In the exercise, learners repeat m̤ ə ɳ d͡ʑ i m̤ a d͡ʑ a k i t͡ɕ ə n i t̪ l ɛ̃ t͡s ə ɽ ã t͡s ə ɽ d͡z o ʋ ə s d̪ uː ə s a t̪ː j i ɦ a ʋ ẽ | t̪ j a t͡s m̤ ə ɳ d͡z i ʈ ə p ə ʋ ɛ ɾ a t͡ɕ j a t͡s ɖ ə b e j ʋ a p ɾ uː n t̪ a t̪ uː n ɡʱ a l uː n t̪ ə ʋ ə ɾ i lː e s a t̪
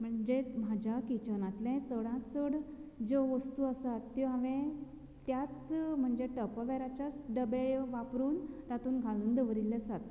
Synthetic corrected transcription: m̤ ə ɳ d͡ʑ e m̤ a d͡ʑ a k i t͡ɕ ə n a t̪ l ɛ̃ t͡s ə ɽ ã t͡s ə ɽ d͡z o ʋ ə s t̪ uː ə s a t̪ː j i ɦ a ʋ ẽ | t̪ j a t͡s m̤ ə ɳ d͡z e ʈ ə p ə ʋ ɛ ɾ a t͡ɕ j a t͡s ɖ ə b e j ʋ a p ɾ uː n t̪ a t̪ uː n ɡʱ a l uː n d̪ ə ʋ ə ɾ i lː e s a t̪